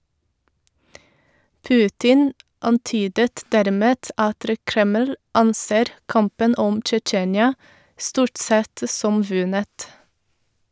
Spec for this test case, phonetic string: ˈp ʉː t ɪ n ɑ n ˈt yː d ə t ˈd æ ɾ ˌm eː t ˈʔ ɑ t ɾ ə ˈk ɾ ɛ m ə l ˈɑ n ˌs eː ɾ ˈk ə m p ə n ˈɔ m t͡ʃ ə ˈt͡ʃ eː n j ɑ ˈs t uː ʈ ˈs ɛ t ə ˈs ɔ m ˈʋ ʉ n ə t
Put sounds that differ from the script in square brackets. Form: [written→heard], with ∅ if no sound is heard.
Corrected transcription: ˈp ʉː t ɪ n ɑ n ˈt yː d ə t ˈd æ ɾ ˌm eː t ˈʔ ɑ t ɾ ə ˈk ɾ ɛ m ə l ˈɑ n ˌs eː ɾ ˈk [ə→ɑ] m p ə n ˈɔ m t͡ʃ ə ˈt͡ʃ eː n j ɑ ˈs t uː ʈ ˈs ɛ t ə ˈs ɔ m ˈʋ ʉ n ə t